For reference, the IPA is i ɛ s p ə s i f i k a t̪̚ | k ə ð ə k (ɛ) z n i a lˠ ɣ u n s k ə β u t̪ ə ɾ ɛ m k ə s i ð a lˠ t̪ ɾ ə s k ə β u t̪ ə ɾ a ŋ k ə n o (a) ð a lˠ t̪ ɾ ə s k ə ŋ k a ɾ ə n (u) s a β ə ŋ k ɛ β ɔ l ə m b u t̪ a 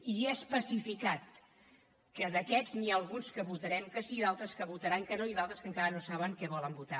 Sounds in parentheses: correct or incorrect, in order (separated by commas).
correct, incorrect, incorrect